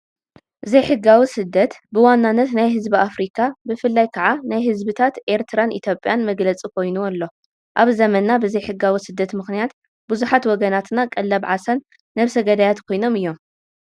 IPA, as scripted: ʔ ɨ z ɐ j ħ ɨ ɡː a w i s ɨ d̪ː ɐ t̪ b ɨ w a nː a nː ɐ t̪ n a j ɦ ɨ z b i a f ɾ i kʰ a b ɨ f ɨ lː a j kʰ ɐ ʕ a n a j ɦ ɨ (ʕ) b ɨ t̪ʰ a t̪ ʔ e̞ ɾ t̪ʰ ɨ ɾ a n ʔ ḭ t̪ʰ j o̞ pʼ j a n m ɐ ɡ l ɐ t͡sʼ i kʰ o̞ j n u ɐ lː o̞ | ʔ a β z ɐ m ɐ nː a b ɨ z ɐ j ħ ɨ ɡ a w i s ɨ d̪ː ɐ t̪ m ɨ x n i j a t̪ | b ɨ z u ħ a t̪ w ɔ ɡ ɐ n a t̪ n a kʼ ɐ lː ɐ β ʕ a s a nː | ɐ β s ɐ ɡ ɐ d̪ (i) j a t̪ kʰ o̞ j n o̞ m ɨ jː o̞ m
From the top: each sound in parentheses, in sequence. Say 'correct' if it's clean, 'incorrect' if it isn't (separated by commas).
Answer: incorrect, incorrect